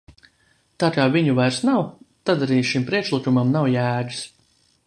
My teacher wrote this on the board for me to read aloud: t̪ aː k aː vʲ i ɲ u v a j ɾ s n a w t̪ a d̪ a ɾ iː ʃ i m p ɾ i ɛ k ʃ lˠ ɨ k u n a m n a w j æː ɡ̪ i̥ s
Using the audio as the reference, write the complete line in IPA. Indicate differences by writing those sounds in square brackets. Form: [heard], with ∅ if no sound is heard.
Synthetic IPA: t̪ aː k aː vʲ i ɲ u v a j ɾ s n a w t̪ a d̪ a ɾ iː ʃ i m p ɾ i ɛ k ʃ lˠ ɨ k u [m] a m n a w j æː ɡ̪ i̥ s